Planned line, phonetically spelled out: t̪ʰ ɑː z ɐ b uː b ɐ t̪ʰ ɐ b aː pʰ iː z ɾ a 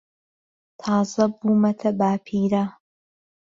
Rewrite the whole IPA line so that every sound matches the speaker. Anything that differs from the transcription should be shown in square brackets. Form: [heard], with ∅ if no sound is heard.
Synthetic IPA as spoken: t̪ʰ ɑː z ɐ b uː [m] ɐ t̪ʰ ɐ b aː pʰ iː [∅] ɾ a